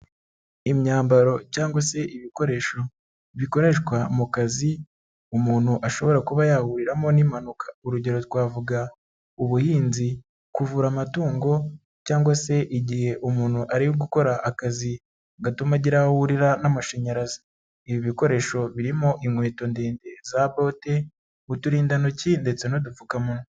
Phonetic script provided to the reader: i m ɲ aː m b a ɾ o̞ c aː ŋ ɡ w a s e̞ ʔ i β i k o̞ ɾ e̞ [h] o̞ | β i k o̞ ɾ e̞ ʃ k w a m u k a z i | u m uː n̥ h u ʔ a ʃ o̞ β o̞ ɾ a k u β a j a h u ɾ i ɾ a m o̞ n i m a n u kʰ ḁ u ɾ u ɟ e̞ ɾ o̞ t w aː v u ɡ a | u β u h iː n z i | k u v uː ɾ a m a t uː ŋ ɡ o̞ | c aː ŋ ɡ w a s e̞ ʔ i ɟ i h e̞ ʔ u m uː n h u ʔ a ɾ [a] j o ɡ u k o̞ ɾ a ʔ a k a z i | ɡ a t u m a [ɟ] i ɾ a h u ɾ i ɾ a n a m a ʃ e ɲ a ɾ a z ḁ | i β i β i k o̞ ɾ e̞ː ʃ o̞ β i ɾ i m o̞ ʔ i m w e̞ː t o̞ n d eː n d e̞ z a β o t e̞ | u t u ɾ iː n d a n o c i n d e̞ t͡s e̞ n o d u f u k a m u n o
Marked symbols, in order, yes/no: no, no, yes

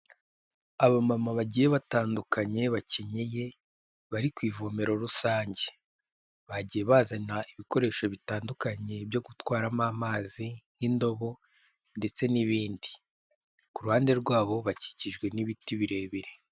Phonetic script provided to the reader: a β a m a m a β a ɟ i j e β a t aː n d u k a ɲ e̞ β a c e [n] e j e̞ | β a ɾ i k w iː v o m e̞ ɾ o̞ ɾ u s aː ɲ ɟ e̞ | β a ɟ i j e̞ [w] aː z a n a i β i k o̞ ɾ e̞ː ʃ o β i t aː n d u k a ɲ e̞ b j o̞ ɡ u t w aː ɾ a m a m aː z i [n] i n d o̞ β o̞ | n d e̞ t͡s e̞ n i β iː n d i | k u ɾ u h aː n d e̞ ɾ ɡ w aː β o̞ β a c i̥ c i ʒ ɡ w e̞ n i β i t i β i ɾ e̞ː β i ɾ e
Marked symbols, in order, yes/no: no, no, yes

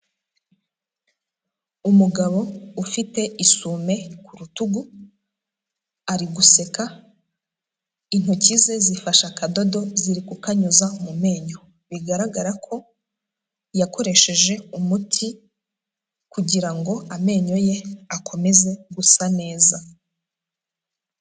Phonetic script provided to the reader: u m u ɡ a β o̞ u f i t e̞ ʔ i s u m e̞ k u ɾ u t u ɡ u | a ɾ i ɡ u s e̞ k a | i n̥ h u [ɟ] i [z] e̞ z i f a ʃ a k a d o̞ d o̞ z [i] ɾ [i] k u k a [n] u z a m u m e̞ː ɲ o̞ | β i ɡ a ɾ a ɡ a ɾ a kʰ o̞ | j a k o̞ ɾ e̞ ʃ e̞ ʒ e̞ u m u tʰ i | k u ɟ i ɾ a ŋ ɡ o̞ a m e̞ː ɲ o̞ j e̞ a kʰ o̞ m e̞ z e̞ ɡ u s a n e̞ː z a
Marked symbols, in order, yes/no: no, yes, yes, yes, no

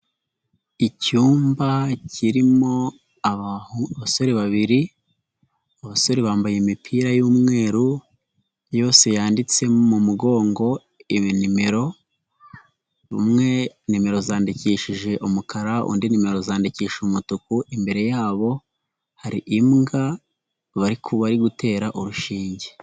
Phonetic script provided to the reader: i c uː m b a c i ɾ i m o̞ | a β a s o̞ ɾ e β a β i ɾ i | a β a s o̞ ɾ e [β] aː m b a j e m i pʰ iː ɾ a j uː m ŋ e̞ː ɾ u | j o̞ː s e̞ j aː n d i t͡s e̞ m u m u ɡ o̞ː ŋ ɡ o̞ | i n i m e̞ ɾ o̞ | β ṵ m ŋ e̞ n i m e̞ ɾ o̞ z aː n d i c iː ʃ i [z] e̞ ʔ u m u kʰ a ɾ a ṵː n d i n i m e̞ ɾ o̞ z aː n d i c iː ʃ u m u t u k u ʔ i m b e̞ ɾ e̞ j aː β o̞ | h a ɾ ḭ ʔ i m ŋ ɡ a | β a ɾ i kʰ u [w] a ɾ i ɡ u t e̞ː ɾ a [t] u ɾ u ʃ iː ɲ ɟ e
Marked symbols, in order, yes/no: yes, no, no, no

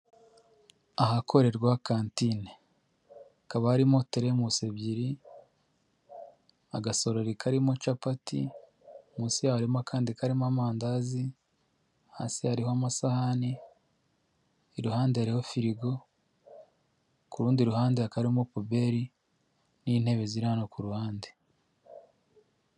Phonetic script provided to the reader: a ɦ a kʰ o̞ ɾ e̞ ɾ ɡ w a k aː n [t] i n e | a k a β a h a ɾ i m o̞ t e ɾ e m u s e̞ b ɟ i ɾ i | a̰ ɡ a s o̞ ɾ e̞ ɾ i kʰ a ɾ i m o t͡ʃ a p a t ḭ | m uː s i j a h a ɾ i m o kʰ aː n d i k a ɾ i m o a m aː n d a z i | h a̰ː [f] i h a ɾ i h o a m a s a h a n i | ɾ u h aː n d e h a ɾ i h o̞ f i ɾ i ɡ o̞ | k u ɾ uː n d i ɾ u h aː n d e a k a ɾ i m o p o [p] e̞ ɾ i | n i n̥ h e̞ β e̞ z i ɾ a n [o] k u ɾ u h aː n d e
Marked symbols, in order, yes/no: yes, no, no, yes

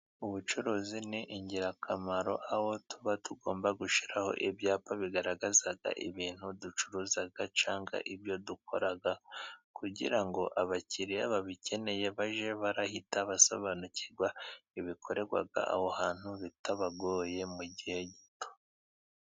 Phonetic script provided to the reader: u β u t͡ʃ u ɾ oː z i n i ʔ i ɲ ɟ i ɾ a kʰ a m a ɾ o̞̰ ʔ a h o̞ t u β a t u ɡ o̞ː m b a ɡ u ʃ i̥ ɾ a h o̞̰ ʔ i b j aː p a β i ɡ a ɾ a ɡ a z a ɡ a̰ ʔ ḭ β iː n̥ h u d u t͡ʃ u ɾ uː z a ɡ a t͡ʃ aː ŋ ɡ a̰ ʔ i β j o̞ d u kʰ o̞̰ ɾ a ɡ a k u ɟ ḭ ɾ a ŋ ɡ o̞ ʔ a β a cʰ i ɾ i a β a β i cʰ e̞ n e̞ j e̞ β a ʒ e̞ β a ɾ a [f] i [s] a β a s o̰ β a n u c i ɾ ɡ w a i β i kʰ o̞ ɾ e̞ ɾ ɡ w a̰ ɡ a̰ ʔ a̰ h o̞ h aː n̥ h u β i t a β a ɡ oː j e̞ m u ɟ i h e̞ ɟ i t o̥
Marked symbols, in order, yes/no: no, no

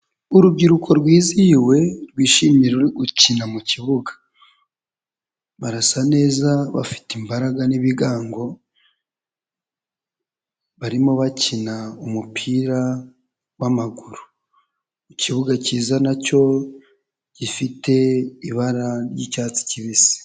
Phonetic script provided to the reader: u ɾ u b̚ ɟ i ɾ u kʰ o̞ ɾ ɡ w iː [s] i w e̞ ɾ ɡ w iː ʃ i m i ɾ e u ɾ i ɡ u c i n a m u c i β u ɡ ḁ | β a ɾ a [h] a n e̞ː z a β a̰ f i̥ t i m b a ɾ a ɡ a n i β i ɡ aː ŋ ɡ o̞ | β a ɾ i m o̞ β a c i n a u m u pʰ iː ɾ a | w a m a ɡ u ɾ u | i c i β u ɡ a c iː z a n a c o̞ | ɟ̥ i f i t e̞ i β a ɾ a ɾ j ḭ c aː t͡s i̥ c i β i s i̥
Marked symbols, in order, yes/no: no, no

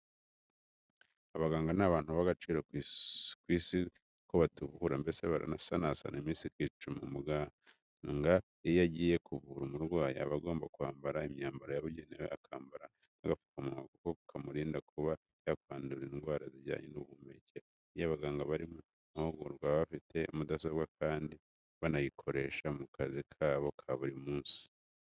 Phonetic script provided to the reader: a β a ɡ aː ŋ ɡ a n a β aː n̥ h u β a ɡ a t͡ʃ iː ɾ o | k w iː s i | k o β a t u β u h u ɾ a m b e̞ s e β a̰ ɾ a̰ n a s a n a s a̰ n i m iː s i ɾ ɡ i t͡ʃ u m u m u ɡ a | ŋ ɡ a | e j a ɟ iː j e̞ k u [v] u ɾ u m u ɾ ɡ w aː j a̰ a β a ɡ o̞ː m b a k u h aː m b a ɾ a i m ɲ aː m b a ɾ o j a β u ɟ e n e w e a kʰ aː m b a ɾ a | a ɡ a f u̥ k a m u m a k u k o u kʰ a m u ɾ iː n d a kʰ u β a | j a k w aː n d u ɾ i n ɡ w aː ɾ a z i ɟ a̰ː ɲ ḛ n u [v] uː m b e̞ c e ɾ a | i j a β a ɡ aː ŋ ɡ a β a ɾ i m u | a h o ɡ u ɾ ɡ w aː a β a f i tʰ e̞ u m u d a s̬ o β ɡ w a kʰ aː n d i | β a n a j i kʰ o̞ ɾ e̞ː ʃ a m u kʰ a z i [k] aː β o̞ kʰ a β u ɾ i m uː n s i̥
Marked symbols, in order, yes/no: yes, no, no

